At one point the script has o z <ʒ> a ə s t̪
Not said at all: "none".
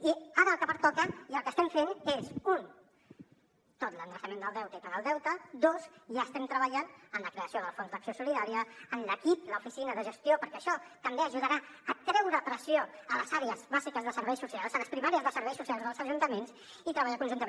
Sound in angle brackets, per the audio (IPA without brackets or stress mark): ʒ